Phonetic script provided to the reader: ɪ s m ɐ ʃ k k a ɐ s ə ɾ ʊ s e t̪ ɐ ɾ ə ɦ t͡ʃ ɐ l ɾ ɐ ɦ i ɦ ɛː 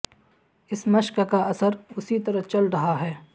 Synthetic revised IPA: ɪ s m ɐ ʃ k k a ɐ s ə ɾ ʊ s i t̪ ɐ ɾ ə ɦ t͡ʃ ɐ l ɾ ɐ ɦ a ɦ ɛː